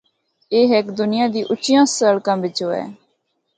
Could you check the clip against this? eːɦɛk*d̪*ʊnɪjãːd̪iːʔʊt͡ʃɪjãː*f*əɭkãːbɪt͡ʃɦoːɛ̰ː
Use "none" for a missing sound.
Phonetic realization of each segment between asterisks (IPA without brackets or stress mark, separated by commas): d̪, s